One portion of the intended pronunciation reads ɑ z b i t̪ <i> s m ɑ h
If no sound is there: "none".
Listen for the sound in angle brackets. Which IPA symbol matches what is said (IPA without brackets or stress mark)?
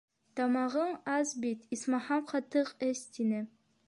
i